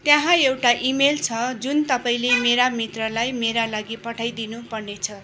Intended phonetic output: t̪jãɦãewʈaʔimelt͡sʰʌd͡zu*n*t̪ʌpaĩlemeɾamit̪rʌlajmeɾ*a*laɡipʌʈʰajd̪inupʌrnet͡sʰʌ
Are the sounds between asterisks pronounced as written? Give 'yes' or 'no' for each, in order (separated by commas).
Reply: yes, yes